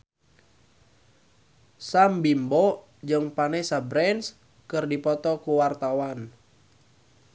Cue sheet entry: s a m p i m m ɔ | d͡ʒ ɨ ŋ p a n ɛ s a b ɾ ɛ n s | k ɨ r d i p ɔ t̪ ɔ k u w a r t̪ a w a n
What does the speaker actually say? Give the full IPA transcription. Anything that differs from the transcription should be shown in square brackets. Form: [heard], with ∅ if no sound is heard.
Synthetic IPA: s a m [b] i m [b] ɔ | d͡ʒ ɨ ŋ p a n ɛ s a b ɾ ɛ n s | k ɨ r d i p ɔ t̪ ɔ k u w a r t̪ a w a n